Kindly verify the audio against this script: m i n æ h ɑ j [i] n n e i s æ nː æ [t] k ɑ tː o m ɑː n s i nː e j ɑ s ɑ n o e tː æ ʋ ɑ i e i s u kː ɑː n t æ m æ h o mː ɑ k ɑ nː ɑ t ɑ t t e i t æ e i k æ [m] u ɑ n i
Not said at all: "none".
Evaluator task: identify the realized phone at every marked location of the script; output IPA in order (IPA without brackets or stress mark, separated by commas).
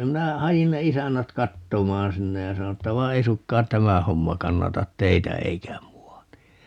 i, t, m